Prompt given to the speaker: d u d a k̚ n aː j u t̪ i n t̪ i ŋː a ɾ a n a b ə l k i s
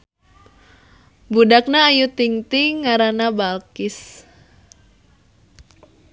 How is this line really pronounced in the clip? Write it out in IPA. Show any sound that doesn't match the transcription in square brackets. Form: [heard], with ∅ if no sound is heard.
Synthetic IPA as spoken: [b] u d a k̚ n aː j u t̪ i [ŋ] t̪ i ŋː a ɾ a n a b [a] l k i s

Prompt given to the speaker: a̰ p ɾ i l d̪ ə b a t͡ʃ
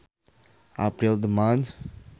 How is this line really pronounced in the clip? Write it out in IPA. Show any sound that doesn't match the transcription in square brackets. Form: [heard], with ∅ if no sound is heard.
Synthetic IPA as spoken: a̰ p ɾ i l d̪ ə [m] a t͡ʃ

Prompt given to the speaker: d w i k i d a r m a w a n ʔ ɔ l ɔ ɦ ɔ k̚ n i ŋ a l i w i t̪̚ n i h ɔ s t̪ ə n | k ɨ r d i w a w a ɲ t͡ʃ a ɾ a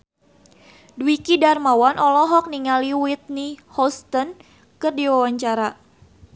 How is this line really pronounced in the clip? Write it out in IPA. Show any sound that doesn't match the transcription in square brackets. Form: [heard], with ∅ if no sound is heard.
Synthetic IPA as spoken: d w i k i d a r m a w a n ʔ ɔ l ɔ ɦ ɔ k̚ n i ŋ a l i w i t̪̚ n i h ɔ s t̪ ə n | k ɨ r d i w a w a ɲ t͡ʃ a ɾ a

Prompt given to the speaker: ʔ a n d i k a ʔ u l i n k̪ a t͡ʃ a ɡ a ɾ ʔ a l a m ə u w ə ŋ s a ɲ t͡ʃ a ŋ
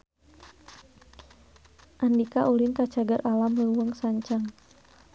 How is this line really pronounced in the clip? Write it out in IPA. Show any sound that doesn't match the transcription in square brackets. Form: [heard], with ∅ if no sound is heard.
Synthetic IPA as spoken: ʔ a n d i k a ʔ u l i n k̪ a t͡ʃ a ɡ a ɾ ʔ a l a m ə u w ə ŋ s a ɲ t͡ʃ a ŋ

